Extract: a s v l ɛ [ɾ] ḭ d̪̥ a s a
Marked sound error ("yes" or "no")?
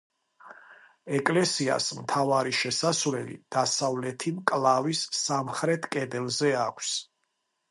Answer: yes